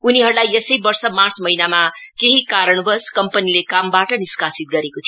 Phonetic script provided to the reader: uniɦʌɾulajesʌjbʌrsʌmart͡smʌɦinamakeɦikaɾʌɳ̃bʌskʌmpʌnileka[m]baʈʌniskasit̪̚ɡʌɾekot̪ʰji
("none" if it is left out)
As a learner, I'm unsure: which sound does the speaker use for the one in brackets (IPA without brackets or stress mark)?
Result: m